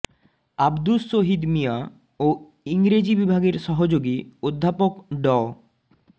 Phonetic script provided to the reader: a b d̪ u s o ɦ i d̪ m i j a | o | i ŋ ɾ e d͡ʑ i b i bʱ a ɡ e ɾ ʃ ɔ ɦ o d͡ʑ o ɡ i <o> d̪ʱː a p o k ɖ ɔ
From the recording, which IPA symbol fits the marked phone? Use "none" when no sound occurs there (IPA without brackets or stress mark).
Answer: o